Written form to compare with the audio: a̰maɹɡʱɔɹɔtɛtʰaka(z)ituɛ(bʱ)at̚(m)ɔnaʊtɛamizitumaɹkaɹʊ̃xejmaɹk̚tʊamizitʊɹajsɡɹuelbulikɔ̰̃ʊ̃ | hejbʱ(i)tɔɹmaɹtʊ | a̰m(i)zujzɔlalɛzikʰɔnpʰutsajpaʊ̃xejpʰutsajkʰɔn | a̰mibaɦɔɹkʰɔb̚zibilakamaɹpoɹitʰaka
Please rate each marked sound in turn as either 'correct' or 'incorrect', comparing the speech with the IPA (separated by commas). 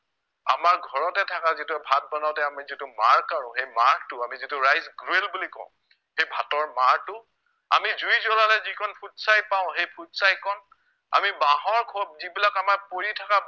correct, correct, incorrect, incorrect, correct